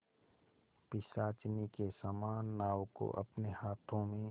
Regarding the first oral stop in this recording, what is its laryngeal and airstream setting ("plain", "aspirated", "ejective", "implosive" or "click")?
plain